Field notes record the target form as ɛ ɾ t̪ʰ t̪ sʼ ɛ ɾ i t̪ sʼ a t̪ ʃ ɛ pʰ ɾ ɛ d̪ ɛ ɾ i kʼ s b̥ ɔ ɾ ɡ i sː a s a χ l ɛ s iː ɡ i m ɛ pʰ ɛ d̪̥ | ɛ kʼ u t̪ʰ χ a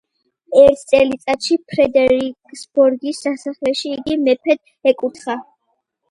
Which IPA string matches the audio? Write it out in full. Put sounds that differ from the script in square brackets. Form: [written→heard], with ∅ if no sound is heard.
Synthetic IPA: ɛ ɾ t̪ʰ t̪ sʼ ɛ [ɾ→l] i t̪ sʼ a t̪ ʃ [ɛ→i] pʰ ɾ ɛ d̪ ɛ ɾ i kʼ s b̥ ɔ ɾ ɡ i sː a s a χ l ɛ [s→ʃ] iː ɡ i m ɛ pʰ ɛ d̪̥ | ɛ kʼ u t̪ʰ χ a